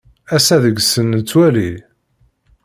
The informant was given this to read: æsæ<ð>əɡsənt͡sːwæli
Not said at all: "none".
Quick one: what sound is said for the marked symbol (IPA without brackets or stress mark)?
ð